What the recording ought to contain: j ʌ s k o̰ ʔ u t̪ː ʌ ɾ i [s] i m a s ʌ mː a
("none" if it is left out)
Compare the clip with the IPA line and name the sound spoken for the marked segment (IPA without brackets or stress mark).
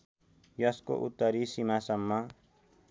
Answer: s